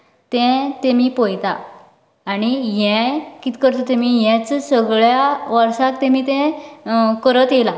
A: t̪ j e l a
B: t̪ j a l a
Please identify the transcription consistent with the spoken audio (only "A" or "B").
A